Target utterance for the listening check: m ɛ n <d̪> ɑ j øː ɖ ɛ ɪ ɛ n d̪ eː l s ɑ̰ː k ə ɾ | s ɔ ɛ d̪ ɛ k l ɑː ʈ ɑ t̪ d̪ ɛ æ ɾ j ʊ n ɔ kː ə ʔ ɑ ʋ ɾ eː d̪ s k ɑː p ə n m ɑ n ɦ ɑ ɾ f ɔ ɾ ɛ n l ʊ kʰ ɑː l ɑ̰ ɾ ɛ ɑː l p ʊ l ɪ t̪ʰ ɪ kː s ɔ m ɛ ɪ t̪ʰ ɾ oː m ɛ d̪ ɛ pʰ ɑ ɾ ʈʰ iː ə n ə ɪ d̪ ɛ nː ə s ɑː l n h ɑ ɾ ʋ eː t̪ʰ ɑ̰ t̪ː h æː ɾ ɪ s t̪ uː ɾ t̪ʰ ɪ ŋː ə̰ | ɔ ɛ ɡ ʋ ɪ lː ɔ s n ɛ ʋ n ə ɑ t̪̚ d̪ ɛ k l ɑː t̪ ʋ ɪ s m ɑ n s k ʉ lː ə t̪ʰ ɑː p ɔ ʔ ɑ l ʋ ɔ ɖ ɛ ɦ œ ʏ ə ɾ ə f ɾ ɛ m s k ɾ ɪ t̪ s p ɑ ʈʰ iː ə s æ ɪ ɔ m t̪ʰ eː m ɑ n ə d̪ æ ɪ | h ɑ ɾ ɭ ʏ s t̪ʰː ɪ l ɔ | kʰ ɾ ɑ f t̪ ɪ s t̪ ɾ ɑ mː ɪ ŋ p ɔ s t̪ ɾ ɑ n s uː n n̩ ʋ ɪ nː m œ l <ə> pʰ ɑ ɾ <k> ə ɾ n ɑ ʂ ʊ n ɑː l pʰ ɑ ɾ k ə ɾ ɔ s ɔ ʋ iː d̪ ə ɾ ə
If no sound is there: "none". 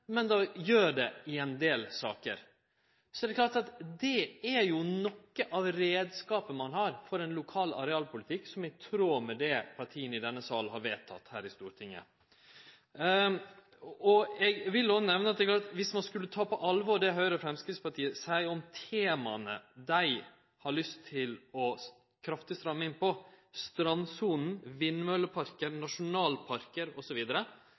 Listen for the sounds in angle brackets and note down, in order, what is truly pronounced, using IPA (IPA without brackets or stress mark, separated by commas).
d̪, ə, k